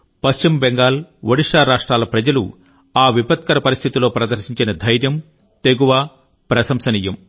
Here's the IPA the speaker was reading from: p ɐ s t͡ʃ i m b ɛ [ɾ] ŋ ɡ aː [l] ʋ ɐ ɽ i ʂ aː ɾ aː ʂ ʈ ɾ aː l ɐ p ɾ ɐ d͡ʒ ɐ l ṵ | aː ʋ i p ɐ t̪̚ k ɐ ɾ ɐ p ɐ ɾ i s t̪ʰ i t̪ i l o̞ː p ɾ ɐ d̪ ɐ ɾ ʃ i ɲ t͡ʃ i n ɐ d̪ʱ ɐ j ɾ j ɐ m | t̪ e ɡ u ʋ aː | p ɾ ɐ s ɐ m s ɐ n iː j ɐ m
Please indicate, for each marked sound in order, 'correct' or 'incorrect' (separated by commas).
incorrect, correct